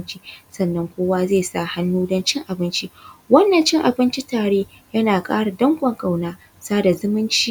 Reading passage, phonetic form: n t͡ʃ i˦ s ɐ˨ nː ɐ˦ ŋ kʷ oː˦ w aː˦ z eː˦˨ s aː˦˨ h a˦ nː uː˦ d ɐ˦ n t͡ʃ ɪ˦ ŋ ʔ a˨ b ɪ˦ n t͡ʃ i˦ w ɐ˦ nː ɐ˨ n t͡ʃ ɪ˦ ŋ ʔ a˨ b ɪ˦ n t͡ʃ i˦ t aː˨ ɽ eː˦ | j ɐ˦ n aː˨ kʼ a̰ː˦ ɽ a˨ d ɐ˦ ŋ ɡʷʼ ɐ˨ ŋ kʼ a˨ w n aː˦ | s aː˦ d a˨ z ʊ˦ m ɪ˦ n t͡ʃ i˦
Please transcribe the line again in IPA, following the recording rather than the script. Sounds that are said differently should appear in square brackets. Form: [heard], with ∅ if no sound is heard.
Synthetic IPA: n t͡ʃ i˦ s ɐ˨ nː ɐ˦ ŋ kʷ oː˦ w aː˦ z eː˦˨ s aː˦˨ h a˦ nː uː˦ d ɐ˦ n t͡ʃ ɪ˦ ŋ ʔ a˨ b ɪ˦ n t͡ʃ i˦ w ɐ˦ nː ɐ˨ n t͡ʃ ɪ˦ ŋ ʔ a˨ b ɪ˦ n t͡ʃ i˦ t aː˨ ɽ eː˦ | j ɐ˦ n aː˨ kʼ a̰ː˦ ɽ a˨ d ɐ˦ ŋ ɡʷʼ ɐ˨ ŋ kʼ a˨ w n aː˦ | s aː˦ d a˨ z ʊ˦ m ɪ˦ n t͡ʃ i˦